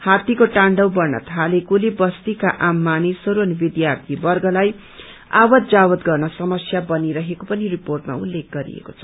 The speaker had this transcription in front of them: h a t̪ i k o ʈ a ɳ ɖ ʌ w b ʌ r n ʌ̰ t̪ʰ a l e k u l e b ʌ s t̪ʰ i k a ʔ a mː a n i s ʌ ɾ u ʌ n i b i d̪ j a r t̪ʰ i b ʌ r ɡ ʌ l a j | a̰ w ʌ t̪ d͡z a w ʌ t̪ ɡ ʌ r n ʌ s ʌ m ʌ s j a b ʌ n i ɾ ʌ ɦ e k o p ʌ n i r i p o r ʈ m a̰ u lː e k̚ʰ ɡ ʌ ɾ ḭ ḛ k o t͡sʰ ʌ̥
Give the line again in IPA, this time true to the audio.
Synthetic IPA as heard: h a t̪ i k o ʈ a ɳ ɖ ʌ w b ʌ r n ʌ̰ t̪ʰ a l e k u l e b ʌ s t̪ i k a ʔ a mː a n i s ʌ ɾ u ʌ n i b i d̪ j a r t̪ʰ i b ʌ r ɡ ʌ l a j | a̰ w ʌ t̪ d͡z a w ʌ t̪ ɡ ʌ r n ʌ s ʌ m ʌ s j a b ʌ n i ɾ ʌ ɦ e k o p ʌ n i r i p o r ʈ m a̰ u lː e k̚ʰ ɡ ʌ ɾ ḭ ḛ k o t͡sʰ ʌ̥

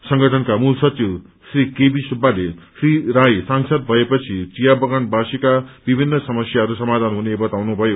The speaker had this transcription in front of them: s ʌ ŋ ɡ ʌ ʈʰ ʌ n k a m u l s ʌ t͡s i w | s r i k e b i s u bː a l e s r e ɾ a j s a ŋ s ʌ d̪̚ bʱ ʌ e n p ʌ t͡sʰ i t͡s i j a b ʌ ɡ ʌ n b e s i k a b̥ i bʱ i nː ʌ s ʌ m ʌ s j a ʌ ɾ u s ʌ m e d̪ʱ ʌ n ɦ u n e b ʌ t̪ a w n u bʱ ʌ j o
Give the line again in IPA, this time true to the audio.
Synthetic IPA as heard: s ʌ ŋ ɡ ʌ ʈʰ ʌ n k a m u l s ʌ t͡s i w | s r i k e b i s u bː a l e s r i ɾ a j s a ŋ s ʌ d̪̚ bʱ ʌ e p ʌ t͡sʰ i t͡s i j a b ʌ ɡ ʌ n b a s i k a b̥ i bʱ i nː ʌ s ʌ m ʌ s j a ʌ ɾ u s ʌ m a d̪ʱ a n ɦ u n e b ʌ t̪ a w n u bʱ ʌ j o

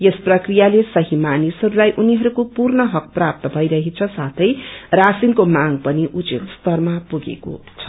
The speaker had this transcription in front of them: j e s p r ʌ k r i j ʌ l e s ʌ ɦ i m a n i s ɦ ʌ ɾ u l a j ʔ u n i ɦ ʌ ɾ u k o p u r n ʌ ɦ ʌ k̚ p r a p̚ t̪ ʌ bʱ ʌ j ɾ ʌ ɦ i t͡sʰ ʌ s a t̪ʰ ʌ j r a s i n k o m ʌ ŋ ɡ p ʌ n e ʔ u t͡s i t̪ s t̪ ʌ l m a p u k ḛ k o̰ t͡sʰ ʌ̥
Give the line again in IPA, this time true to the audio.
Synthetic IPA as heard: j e s p r ʌ k r i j a l e s ʌ ɦ i m a n i s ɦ ʌ ɾ u l a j ʔ u n i ɦ ʌ ɾ u k o p u r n ʌ ɦ ʌ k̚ p r a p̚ t̪ ʌ bʱ ʌ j ɾ ʌ ɦ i t͡sʰ ʌ s a t̪ʰ ʌ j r a s i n k o m a ŋ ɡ p ʌ n i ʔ u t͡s i t̪ s t̪ ʌ r m a p u ɡ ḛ k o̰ t͡sʰ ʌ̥

